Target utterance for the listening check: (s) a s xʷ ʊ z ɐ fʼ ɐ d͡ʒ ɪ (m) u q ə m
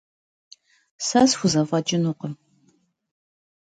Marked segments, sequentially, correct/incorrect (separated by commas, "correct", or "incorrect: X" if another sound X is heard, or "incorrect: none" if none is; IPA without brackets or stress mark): correct, incorrect: n